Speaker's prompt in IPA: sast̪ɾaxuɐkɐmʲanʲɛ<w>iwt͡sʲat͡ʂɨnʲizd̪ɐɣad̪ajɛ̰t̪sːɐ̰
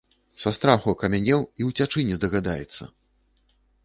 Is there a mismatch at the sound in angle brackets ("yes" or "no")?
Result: no